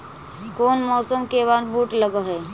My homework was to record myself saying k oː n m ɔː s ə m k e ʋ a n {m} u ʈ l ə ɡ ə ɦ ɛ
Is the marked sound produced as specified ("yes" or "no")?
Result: no